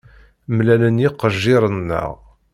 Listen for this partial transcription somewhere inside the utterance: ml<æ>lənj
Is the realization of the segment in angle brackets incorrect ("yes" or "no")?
no